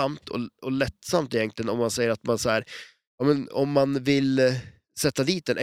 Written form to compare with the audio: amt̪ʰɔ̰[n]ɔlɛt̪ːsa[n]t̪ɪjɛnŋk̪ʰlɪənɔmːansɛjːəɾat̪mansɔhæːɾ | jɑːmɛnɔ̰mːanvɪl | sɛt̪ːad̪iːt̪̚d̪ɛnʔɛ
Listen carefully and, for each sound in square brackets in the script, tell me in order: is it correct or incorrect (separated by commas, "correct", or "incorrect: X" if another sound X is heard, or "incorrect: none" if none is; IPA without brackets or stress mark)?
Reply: incorrect: none, incorrect: m